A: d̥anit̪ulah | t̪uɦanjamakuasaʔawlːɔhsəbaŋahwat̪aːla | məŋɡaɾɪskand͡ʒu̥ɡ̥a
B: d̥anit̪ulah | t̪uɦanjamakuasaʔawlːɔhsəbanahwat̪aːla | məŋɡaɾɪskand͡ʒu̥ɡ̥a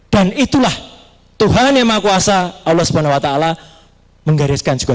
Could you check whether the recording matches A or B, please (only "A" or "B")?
B